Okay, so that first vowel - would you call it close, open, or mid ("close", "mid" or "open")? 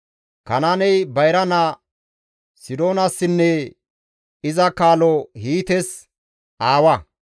open